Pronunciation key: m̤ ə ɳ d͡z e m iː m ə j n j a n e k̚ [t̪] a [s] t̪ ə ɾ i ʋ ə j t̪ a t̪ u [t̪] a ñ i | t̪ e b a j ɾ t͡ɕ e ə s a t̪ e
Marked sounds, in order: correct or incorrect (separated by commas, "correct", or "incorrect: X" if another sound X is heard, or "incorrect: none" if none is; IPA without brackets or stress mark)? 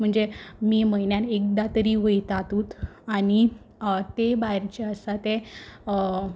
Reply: incorrect: d̪, incorrect: none, correct